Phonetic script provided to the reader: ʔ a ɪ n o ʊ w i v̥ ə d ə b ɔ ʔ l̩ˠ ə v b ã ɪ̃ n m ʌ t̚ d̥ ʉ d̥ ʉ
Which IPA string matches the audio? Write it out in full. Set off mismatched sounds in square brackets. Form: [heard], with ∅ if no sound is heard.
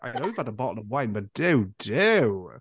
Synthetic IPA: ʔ a ɪ n o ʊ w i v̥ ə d ə b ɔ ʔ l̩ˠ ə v [w] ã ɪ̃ n [b] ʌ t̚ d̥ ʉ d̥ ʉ